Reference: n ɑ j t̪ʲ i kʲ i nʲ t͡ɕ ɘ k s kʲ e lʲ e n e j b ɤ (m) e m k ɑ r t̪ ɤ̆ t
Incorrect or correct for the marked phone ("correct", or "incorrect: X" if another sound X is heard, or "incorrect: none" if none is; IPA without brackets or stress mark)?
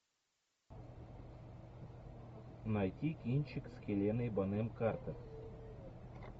incorrect: n